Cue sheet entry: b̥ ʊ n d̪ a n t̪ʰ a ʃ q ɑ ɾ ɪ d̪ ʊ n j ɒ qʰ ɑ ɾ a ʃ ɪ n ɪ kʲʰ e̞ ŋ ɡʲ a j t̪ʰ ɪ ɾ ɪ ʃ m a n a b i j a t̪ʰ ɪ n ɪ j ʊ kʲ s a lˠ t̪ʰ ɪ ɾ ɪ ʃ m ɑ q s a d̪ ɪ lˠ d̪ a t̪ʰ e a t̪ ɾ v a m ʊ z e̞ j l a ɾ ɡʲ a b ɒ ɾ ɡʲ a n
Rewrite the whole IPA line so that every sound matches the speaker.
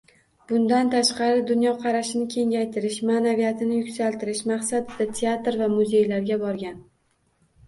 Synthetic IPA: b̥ ʊ n d̪ a n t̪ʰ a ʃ q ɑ ɾ ɪ d̪ ʊ n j ɒ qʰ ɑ ɾ a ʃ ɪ n ɪ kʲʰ e̞ ŋ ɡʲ a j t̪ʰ ɪ ɾ ɪ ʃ m a n a v i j a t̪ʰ ɪ n ɪ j ʊ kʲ s a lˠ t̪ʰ ɪ ɾ ɪ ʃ m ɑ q s a d̪ ɪ d̪ a t̪ʰ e a t̪ ɾ v a m ʊ z e̞ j l a ɾ ɡʲ a b ɒ ɾ ɡʲ a n